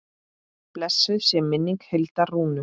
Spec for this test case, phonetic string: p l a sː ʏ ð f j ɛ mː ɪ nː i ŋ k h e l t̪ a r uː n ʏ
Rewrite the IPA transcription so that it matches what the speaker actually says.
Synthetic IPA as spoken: p l ɛ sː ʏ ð s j ɛ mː ɪ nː i ŋ k h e l t̪ a r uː n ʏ